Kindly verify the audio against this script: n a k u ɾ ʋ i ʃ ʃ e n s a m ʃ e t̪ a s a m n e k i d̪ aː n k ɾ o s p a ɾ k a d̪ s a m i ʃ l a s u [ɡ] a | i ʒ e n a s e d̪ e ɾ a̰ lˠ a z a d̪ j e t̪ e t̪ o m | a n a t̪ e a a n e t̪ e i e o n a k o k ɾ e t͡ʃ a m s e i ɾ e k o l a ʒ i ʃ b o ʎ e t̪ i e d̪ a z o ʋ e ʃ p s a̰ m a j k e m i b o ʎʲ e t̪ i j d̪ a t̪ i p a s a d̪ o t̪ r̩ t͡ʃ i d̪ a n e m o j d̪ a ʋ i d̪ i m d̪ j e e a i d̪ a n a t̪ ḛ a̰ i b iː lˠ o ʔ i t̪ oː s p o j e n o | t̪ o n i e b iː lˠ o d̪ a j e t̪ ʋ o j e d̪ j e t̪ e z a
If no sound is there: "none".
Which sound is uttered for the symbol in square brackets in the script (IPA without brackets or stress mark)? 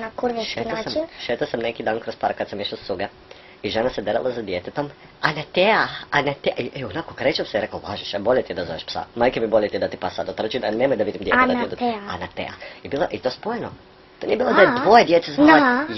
ɡ